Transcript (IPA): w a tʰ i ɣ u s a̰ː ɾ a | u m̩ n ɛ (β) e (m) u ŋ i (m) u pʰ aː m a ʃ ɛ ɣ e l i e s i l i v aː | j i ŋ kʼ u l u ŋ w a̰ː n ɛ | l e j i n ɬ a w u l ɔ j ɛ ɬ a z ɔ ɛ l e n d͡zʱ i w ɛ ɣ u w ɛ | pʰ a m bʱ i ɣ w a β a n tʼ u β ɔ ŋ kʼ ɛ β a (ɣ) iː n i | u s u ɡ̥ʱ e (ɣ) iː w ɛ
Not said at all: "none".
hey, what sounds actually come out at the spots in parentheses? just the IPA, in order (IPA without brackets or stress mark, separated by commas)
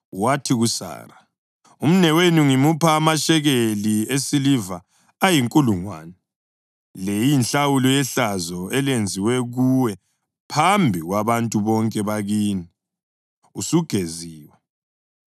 w, n, m, ɣ, z